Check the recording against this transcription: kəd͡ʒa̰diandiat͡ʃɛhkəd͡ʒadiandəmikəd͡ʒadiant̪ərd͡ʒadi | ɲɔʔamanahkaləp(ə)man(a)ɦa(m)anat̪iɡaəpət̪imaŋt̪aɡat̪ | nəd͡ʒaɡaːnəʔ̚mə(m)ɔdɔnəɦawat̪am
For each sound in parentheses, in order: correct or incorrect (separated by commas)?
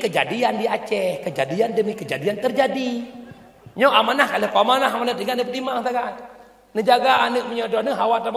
incorrect, correct, correct, incorrect